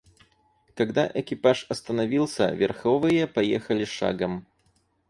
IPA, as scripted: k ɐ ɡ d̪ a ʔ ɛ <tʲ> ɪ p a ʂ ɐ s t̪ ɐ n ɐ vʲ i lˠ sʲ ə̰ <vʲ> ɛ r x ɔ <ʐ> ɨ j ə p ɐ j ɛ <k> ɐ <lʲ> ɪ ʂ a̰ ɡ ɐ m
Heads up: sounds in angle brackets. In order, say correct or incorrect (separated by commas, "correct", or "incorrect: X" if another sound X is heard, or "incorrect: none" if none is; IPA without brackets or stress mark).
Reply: incorrect: kʲ, correct, incorrect: v, incorrect: x, correct